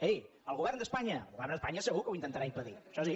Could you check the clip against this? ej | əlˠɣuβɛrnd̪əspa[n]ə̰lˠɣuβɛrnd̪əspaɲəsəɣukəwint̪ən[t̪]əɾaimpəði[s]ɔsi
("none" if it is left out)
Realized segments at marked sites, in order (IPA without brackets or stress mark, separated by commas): ɲ, t̪, ʃ